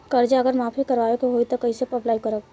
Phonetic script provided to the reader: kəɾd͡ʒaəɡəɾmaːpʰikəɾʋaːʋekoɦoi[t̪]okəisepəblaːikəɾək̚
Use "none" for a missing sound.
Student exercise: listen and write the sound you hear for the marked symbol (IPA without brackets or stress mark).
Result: t̪